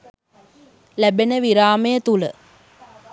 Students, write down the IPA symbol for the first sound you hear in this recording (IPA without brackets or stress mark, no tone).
l